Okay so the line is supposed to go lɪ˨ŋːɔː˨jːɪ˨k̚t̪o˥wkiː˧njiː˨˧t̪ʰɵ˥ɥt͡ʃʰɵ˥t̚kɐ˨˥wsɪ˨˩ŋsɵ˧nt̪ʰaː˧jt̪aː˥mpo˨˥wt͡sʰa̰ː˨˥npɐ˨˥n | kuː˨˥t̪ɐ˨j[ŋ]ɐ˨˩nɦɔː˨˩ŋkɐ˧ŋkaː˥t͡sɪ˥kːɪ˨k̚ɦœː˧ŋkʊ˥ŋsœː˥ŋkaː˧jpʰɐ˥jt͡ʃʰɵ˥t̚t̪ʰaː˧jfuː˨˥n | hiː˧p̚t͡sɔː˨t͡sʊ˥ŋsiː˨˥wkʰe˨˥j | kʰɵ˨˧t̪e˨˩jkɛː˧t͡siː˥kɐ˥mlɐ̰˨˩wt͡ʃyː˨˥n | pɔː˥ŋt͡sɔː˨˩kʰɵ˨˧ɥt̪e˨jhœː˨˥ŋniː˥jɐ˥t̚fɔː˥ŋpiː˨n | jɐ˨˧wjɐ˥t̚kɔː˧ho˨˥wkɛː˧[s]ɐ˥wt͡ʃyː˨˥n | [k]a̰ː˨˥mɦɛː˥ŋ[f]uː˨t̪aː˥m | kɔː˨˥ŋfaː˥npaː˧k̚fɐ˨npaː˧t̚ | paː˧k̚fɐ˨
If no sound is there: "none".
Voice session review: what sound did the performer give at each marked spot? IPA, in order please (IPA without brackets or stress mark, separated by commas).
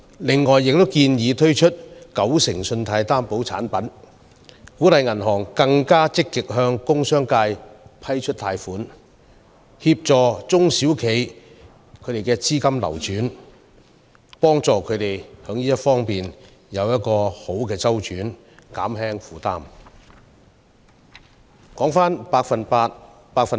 ŋ, t͡s, k, f